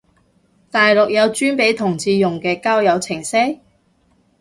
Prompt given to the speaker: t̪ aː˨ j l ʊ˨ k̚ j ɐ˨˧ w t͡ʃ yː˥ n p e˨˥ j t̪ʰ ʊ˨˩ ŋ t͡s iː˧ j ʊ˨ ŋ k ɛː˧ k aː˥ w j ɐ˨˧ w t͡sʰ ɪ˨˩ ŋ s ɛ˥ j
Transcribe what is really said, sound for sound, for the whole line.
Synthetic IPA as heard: t̪ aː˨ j l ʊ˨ k̚ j ɐ˨˧ w t͡ʃ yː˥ n p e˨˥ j t̪ʰ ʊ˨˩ ŋ t͡s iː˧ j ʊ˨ ŋ k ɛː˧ k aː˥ w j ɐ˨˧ w t͡sʰ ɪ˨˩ ŋ s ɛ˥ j